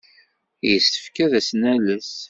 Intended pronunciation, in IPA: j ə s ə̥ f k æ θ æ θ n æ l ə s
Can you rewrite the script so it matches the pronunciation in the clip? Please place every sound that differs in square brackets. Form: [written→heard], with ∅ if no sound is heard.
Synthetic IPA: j ə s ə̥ f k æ [θ→ð] æ [θ→s] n æ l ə s